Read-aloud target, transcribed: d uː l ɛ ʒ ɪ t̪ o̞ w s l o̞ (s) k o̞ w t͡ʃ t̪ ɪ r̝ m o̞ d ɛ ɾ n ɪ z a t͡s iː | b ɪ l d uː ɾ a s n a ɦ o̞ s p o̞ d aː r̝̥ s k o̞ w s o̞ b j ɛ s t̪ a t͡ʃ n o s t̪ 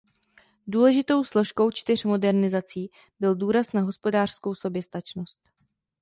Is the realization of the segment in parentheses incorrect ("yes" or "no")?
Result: yes